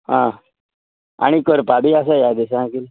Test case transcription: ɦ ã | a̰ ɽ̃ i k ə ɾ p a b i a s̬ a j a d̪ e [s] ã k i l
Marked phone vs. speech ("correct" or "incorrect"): correct